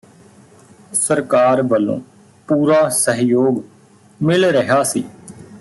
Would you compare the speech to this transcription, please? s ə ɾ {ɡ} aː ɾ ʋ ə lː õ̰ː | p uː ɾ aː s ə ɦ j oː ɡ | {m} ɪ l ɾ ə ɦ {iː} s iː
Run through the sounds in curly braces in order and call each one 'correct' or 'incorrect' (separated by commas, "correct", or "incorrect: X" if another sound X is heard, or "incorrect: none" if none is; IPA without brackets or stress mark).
incorrect: k, correct, incorrect: aː